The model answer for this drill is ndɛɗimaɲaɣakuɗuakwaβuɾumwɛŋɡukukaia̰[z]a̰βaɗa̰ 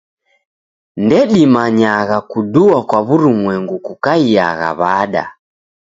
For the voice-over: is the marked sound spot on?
no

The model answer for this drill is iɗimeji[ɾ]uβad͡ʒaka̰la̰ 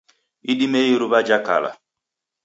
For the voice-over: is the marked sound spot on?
yes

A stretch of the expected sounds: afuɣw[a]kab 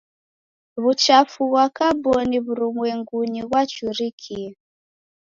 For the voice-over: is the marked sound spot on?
yes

